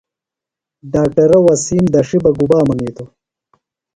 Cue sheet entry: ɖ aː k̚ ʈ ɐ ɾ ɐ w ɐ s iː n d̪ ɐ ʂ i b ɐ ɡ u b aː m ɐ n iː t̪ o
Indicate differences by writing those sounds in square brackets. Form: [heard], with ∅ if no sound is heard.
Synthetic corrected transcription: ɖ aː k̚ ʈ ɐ ɾ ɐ w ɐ s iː [m] d̪ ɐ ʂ i b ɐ ɡ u b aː m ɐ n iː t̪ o

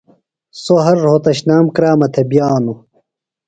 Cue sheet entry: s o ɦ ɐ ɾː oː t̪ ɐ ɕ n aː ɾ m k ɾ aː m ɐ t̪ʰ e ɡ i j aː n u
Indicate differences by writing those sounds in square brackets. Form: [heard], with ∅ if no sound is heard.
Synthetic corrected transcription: s o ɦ ɐ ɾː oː t̪ ɐ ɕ n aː [∅] m k ɾ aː m ɐ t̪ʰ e [b] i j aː n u

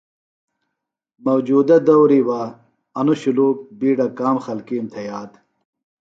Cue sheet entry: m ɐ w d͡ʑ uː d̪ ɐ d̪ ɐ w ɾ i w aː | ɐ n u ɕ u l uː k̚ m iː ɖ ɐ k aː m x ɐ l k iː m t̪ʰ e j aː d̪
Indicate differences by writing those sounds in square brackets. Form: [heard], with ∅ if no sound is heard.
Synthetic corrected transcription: m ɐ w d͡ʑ uː d̪ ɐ d̪ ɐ w ɾ i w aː | ɐ n u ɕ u l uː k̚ [b] iː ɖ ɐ k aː m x ɐ l k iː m t̪ʰ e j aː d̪

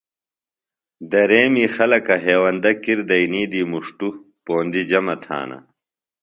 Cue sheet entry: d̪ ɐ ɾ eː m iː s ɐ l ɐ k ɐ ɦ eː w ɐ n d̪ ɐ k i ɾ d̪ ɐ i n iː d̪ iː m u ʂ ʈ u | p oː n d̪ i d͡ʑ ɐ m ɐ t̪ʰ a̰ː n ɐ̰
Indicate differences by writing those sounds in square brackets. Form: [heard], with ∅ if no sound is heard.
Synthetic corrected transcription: d̪ ɐ ɾ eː m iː [x] ɐ l ɐ k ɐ ɦ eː w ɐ n d̪ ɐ k i ɾ d̪ ɐ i n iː d̪ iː m u ʂ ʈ u | p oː n d̪ i d͡ʑ ɐ m ɐ t̪ʰ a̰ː n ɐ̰

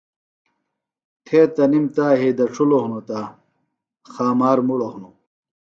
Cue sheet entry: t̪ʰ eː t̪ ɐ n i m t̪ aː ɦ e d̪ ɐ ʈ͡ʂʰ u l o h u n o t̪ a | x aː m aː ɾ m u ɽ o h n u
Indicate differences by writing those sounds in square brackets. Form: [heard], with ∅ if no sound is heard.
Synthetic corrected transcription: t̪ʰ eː t̪ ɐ n i m t̪ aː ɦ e d̪ ɐ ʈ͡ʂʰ u l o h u n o t̪ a | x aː m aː ɾ m u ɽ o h n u

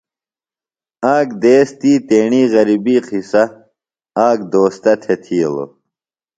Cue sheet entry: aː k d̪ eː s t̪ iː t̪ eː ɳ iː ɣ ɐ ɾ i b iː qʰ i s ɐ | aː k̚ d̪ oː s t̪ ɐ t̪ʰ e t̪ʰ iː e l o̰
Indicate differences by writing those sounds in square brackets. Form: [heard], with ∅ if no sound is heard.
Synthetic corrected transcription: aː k d̪ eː s t̪ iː t̪ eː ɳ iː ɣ ɐ ɾ i b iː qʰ i s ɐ | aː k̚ d̪ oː s t̪ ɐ t̪ʰ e t̪ʰ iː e l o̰

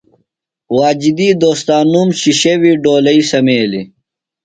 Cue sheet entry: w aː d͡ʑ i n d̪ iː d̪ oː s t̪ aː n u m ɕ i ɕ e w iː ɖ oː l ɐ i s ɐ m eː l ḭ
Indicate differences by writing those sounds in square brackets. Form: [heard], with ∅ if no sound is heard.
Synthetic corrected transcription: w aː d͡ʑ i [∅] d̪ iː d̪ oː s t̪ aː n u m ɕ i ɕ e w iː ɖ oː l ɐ i s ɐ m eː l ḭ

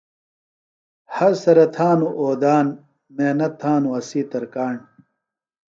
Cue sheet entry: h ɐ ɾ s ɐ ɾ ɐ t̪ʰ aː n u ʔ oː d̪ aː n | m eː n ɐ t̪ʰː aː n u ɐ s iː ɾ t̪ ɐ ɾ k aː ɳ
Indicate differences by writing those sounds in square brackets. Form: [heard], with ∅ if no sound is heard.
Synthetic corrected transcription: h ɐ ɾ s ɐ ɾ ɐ t̪ʰ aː n u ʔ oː d̪ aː n | m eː n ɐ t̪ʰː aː n u ɐ s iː [∅] t̪ ɐ ɾ k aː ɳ

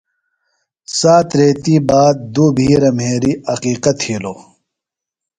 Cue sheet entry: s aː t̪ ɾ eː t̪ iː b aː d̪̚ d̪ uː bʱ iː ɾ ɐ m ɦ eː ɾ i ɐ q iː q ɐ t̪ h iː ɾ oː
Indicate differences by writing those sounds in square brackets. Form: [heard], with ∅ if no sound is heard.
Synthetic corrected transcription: s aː t̪ ɾ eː t̪ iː b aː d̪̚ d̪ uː bʱ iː ɾ ɐ m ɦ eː ɾ i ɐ q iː q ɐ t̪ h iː [l] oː

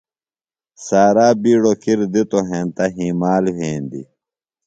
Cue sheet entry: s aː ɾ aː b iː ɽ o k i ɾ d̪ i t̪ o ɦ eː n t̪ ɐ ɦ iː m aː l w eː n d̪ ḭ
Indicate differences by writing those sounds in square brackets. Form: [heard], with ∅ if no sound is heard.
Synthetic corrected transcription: s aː ɾ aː b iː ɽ o k i ɾ d̪ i t̪ o ɦ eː n t̪ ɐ ɦ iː m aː l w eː n d̪ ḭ

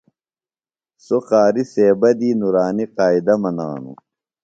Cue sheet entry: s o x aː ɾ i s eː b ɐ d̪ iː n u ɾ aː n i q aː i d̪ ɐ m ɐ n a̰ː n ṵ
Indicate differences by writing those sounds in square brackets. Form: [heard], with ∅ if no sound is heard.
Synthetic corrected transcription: s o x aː ɾ i s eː b ɐ d̪ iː n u ɾ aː n i q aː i d̪ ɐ m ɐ n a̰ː n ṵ

